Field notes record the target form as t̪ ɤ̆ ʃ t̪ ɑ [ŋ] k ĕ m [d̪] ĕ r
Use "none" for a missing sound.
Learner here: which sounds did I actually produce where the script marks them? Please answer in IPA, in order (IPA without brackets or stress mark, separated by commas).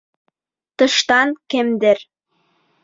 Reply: n, d̪